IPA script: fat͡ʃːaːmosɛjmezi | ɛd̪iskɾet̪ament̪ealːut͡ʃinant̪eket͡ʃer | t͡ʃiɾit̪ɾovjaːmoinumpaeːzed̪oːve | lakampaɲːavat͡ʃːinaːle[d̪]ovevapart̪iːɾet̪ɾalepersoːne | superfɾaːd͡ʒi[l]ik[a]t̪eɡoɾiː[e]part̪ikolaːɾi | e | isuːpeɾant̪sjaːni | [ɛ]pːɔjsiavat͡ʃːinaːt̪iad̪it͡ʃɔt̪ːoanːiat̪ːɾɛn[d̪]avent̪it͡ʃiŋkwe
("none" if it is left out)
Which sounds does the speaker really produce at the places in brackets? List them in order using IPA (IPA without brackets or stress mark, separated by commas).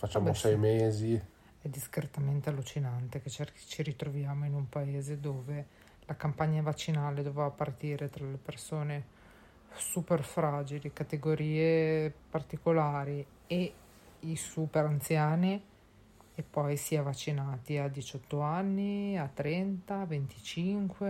d̪, l, a, e, e, t̪